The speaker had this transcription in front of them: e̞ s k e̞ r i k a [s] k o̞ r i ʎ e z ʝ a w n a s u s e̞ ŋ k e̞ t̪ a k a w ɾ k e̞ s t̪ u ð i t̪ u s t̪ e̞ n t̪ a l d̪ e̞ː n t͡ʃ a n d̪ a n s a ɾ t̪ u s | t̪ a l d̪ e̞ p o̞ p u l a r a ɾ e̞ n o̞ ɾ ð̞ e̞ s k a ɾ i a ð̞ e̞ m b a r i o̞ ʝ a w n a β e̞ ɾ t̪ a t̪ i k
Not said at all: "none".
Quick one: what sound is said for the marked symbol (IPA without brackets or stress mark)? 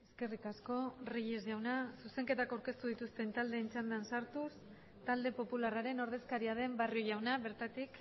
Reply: s